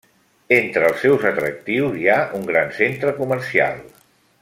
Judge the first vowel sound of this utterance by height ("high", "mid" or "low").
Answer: mid